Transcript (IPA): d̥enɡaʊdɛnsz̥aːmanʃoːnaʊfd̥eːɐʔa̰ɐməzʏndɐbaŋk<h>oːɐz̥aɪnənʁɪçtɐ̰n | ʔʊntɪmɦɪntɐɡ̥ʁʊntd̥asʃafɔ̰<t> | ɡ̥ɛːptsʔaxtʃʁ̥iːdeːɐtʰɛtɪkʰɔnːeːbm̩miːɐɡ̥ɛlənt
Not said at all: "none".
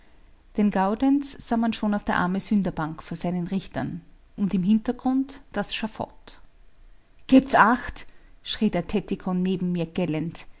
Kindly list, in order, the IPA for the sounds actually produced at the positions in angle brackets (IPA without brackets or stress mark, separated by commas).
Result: f, t